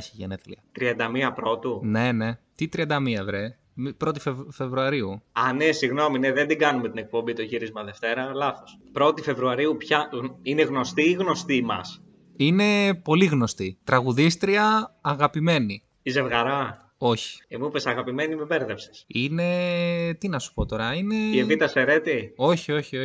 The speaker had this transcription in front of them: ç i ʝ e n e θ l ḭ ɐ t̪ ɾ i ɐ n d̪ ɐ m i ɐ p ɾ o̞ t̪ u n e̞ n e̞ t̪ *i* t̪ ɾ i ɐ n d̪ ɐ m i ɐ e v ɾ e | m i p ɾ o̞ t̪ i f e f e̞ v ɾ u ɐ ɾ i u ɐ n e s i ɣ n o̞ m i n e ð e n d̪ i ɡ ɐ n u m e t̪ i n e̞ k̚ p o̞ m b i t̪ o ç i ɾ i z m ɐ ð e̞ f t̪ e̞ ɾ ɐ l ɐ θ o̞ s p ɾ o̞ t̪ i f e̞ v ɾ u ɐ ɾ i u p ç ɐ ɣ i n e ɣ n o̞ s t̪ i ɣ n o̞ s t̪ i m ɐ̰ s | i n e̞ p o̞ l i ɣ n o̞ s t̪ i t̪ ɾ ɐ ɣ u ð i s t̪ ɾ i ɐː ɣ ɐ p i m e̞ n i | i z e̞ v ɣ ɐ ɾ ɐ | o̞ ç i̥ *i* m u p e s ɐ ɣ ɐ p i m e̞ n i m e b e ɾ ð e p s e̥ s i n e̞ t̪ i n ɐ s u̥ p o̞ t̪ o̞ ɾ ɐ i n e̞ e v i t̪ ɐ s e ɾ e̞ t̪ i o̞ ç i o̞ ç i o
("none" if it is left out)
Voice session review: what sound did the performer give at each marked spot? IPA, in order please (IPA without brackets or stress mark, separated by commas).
i, e